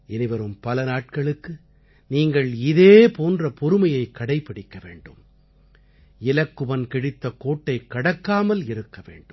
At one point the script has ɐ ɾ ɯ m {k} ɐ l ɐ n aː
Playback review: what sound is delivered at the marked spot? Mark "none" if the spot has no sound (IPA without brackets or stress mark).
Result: p